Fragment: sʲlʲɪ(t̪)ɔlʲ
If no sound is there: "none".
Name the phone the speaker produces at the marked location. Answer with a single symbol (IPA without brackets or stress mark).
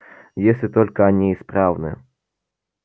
t̪